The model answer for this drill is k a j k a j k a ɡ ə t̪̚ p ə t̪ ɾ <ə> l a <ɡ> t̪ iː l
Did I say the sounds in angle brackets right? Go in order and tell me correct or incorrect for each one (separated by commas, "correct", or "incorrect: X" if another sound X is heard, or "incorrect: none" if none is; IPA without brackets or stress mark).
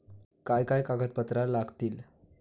incorrect: a, correct